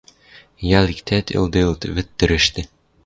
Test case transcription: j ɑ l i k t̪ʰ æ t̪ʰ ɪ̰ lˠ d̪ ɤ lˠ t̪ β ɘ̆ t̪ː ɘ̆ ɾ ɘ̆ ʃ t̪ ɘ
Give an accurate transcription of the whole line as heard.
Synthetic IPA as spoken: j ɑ l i k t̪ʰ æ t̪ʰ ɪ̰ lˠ d̪ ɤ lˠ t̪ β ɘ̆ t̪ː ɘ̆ ɾ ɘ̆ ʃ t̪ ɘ